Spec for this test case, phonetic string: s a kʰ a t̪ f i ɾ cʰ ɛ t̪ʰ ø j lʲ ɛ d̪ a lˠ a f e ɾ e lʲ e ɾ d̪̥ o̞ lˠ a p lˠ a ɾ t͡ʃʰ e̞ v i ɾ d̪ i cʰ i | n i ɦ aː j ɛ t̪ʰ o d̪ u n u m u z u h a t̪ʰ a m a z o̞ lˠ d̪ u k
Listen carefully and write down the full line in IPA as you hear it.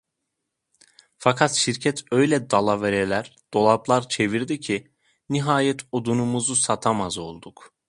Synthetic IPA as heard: f a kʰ a t̪ ʃ i ɾ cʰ ɛ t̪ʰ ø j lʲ ɛ d̪ a lˠ a v e ɾ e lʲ æ ɾ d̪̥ o̞ lˠ a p lˠ a ɾ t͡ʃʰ e̞ v i ɾ d̪ i cʰ i | n i ɦ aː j ɛ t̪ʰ o d̪ u n u m u z u s a t̪ʰ a m a z o̞ lˠ d̪ u k